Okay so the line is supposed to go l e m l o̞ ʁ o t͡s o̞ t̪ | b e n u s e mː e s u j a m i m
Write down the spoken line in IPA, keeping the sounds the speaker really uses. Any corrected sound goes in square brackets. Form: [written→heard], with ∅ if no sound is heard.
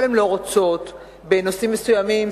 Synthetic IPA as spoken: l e m l o̞ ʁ o t͡s o̞ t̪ | b e n [u→o] s [e→i] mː e s u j a m i m